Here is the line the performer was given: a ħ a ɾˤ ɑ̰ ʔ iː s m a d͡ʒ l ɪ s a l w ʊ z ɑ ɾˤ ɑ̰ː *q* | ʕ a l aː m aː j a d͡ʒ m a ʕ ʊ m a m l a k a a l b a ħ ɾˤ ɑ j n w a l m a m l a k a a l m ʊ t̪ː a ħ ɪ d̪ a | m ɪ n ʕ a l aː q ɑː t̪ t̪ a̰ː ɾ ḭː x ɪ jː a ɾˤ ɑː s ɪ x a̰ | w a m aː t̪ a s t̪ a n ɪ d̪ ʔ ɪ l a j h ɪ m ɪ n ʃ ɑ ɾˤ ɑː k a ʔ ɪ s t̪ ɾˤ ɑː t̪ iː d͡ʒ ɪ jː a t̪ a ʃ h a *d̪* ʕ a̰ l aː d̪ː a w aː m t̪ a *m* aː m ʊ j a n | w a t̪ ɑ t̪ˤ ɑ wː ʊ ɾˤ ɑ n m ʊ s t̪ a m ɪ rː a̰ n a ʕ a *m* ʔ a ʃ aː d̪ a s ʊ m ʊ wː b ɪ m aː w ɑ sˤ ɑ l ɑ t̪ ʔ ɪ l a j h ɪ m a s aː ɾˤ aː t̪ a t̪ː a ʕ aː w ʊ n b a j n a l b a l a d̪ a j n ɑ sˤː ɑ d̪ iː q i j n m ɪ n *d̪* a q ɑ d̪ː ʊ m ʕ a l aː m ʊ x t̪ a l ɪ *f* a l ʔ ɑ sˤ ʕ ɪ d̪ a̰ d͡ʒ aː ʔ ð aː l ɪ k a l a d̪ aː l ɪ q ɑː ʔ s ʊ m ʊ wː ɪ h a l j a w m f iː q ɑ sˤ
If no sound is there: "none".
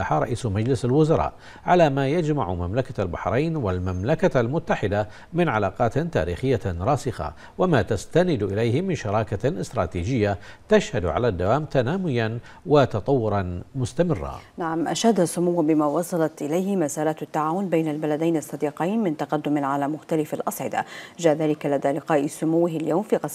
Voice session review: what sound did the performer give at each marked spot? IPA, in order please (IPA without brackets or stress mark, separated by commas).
ʔ, d̪, n, m, t̪, f